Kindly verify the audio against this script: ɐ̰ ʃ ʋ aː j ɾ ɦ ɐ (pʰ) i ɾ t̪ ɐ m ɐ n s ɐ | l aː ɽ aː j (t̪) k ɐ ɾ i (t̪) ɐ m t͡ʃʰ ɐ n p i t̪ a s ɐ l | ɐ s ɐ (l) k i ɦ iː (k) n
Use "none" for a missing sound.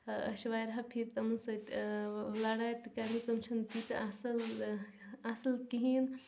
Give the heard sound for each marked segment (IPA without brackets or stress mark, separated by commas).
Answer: pʰ, t̪, t̪, l, none